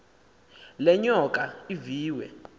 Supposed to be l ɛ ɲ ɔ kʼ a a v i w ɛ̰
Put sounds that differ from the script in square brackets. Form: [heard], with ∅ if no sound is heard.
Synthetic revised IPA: l ɛ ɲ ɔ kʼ a [i] v [iː] w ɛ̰